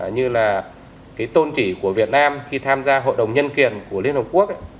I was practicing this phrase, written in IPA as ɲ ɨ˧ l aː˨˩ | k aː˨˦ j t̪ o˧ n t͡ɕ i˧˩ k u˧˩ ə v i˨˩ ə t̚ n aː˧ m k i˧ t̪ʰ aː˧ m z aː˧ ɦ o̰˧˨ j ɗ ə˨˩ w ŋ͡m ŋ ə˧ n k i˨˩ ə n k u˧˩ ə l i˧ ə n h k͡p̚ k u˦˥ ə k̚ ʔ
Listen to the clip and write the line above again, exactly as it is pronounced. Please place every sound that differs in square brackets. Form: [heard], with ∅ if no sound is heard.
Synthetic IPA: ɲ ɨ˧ l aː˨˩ | k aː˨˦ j t̪ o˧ n t͡ɕ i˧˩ k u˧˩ ə v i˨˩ ə t̚ n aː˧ m [x] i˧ t̪ʰ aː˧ m z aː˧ ɦ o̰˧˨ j ɗ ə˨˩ w ŋ͡m [ɲ] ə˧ n k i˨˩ ə n k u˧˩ ə l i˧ ə n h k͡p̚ k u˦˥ ə k̚ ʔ